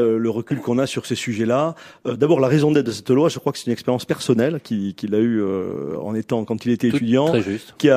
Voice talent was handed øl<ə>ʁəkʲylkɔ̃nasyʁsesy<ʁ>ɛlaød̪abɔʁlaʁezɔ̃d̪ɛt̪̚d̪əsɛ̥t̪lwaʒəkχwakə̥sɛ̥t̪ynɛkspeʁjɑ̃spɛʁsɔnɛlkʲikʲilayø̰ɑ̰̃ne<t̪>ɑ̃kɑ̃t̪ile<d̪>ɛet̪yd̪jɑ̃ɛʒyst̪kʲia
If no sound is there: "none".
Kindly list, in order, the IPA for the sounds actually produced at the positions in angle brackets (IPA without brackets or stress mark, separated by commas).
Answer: ə, ʒ, t̪, t̪